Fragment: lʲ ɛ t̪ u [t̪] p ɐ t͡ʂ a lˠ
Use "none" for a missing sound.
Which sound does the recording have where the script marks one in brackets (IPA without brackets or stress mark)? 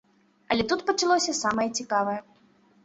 t̪